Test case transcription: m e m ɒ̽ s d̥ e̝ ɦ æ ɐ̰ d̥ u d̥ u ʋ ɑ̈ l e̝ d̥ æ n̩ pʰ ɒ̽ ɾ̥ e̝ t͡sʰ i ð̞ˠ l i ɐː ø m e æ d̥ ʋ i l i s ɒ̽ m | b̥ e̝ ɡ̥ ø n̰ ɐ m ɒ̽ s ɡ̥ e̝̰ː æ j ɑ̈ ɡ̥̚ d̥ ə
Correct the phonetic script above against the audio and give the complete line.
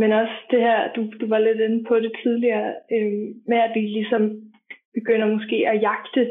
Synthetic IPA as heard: m e n ɒ̽ s d̥ e̝ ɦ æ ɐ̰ d̥ u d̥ u ʋ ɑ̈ l e̝ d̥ e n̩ pʰ ɒ̽ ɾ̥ e̝ t͡sʰ i ð̞ˠ l i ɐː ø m e æ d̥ ʋ i l i s ɒ̽ m | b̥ e̝ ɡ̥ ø n̰ ɐ m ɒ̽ s ɡ̥ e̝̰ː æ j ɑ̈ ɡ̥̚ d̥ ə